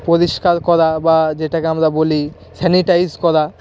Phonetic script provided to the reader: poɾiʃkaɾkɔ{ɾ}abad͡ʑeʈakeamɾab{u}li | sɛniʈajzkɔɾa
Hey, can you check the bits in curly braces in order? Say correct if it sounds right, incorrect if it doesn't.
correct, incorrect: o

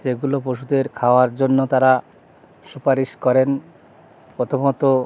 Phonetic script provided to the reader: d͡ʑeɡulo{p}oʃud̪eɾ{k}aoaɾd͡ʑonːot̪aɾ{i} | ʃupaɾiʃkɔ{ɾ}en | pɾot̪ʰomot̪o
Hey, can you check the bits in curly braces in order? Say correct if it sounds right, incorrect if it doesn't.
correct, incorrect: kʰ, incorrect: a, correct

